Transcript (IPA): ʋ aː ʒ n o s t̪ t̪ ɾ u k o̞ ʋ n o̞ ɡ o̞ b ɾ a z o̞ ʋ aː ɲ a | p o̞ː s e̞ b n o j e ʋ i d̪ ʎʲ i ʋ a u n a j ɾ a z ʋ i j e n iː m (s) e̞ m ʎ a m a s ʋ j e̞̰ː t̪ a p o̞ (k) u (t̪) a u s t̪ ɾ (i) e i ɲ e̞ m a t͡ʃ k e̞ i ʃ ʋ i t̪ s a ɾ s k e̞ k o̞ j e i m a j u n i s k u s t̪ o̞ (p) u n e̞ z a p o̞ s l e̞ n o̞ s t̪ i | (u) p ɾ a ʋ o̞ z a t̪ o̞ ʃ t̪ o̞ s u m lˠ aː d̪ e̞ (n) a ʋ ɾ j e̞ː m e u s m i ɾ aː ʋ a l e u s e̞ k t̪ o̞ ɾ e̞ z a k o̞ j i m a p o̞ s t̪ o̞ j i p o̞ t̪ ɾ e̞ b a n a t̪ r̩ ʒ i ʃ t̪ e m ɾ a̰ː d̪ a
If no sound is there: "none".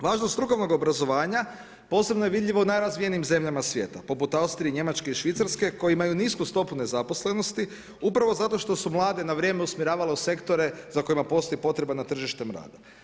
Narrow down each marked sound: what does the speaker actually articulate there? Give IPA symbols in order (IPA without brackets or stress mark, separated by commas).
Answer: z, p, t̪, i, p, u, n